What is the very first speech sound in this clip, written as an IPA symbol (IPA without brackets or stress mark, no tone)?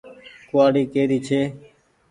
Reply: k